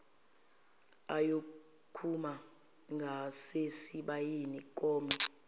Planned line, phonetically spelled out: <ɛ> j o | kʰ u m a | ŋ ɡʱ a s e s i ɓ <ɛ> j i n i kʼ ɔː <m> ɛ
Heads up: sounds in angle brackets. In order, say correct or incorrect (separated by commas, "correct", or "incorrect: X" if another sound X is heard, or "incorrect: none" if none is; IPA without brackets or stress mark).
incorrect: a, incorrect: a, correct